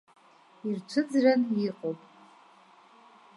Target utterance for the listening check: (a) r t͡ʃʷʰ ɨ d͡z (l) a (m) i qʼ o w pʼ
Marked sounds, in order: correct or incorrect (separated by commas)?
incorrect, incorrect, incorrect